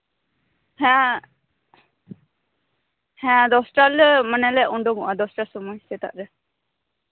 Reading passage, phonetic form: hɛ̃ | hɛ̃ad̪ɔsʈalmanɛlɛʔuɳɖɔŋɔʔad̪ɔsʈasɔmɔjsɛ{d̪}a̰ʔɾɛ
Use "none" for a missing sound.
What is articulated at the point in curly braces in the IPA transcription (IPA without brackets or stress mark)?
t̪